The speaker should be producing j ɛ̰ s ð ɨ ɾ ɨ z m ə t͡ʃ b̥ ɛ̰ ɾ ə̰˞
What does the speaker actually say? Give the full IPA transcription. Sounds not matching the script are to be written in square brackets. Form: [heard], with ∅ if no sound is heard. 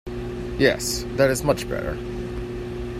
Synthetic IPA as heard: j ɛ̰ s ð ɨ ɾ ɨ z m [ʌ] t͡ʃ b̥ ɛ̰ ɾ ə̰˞

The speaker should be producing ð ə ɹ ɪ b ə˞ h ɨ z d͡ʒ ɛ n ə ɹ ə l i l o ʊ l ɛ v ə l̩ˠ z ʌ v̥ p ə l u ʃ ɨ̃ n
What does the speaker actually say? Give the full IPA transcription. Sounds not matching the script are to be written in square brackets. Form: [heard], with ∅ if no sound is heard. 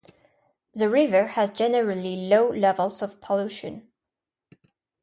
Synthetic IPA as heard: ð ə ɹ ɪ [v] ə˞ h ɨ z d͡ʒ ɛ n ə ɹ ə l i l o ʊ l ɛ v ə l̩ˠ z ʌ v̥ [pʰ] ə l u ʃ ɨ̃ n

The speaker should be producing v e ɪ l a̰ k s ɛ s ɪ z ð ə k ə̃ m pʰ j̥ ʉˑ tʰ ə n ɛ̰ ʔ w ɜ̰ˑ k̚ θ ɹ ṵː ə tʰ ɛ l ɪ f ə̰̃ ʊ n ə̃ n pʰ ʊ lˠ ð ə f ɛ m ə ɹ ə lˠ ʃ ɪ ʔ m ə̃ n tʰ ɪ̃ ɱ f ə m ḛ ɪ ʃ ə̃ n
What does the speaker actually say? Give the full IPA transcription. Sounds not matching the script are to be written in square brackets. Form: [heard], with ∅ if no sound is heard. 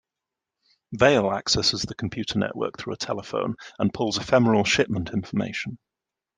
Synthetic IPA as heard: v e ɪ l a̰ k s ɛ s ɪ z ð ə [kʰ] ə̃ m pʰ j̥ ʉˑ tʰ ə n ɛ̰ ʔ w ɜ̰ˑ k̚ θ ɹ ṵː ə tʰ ɛ l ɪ f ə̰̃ [ʊ̃] n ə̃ n pʰ ʊ lˠ [z] ə f ɛ m ə ɹ ə lˠ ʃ ɪ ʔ m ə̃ n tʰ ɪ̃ ɱ f ə m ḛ ɪ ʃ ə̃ n

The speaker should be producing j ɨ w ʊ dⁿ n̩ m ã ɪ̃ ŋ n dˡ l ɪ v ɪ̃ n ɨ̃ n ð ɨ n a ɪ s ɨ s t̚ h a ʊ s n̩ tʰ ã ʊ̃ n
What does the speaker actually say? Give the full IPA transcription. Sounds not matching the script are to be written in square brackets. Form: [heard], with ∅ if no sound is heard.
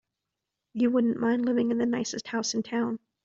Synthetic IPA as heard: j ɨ w ʊ dⁿ n̩ m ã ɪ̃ [∅] n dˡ l ɪ v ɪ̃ [ŋ] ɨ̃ n ð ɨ n a ɪ s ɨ s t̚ h a ʊ s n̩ tʰ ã ʊ̃ n

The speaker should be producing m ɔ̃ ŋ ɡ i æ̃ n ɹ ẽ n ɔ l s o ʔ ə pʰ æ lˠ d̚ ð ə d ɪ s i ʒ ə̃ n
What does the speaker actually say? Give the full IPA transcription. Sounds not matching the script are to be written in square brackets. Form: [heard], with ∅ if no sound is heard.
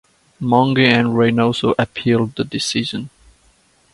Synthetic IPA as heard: m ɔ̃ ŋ ɡ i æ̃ n ɹ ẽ n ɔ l s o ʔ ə pʰ [i] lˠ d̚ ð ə d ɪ s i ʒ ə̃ n

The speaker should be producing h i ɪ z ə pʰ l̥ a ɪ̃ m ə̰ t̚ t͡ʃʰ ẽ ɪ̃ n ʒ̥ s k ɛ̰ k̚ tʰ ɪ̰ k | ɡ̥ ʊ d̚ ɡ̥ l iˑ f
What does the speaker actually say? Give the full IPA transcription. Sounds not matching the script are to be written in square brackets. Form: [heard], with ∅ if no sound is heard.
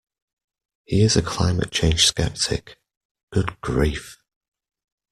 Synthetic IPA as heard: h i ɪ z ə [kʰ] l̥ a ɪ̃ m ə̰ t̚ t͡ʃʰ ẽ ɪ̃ n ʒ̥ s k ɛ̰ [p̚] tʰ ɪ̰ k | ɡ̥ ʊ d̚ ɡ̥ [ɹ] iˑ f

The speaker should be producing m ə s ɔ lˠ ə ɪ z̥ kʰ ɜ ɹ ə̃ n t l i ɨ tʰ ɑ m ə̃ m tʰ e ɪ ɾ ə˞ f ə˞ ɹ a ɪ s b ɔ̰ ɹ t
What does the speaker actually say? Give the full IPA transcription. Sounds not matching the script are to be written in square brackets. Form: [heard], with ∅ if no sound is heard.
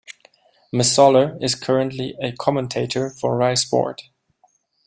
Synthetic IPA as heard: m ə s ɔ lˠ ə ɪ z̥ kʰ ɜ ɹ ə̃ n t l i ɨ [kʰ] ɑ m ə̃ [n] tʰ e ɪ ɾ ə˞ f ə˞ ɹ a ɪ s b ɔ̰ ɹ t

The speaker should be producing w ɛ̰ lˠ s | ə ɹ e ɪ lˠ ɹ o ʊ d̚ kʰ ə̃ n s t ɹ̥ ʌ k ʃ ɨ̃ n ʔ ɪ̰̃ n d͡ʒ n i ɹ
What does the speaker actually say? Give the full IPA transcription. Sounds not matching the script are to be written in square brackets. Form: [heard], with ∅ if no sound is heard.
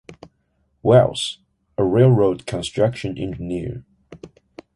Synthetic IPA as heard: w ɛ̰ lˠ s | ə ɹ e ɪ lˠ ɹ o ʊ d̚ kʰ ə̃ n s t ɹ̥ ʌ k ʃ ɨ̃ n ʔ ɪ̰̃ n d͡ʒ n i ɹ

